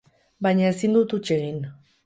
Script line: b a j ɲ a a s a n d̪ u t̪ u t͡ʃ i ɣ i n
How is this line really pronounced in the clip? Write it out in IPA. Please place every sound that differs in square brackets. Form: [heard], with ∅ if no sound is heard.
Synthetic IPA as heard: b a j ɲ a [e] s [i] n d̪ u t̪ u t͡ʃ [e] ɣ i n